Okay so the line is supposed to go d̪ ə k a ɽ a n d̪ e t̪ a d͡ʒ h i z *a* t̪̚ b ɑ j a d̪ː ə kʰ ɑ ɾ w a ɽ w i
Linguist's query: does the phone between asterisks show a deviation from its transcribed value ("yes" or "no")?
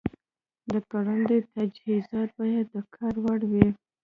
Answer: yes